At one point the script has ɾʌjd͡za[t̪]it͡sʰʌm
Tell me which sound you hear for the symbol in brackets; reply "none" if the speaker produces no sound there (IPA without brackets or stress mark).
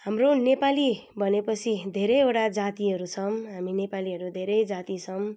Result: t̪